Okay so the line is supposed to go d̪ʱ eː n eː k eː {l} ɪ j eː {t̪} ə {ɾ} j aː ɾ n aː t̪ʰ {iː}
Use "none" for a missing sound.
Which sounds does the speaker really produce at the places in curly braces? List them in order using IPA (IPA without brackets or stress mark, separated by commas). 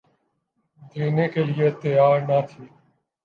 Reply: l, t̪, none, iː